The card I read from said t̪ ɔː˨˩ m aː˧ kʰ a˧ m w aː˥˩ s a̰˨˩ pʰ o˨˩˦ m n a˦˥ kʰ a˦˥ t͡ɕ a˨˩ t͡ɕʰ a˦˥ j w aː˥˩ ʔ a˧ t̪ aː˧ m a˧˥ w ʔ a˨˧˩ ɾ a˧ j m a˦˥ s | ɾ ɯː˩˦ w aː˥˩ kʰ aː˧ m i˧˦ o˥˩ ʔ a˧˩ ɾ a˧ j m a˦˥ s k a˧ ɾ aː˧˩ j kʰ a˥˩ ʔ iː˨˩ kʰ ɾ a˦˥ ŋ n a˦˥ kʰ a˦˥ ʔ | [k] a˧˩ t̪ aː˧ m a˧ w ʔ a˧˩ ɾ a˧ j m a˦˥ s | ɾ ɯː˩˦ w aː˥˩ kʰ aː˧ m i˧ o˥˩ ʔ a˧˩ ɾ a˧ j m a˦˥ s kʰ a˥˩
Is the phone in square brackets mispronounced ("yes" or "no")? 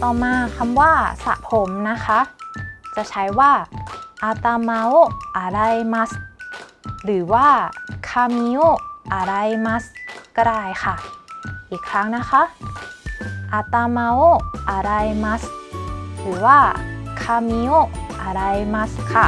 yes